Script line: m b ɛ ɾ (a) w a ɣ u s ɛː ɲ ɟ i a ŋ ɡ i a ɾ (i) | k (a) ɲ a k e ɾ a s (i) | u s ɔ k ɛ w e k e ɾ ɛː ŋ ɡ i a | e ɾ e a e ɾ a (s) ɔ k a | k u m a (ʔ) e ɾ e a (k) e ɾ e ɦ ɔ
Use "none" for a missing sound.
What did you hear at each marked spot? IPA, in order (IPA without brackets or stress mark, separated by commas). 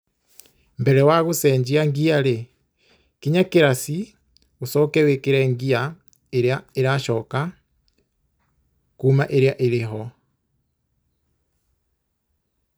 ɛ, e, i, i, ʃ, ʔ, ʔ